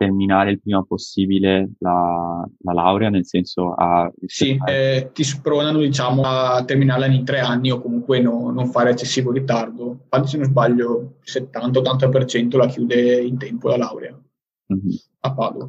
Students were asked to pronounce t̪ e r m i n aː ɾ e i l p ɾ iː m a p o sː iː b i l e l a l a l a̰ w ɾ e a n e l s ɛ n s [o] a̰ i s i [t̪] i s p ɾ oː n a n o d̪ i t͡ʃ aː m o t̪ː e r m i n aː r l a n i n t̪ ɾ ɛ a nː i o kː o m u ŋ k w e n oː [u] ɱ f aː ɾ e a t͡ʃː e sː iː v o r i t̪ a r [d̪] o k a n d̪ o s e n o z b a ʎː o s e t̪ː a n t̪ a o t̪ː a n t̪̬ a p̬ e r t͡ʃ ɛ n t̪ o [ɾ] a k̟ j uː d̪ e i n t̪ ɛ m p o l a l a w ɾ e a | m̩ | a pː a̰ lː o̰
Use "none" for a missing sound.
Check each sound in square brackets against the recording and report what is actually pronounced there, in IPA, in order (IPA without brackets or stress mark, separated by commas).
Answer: o, t̪, o, d̪, l